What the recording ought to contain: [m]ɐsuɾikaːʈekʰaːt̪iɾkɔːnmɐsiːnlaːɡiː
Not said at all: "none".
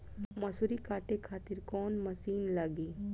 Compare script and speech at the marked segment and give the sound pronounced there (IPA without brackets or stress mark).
m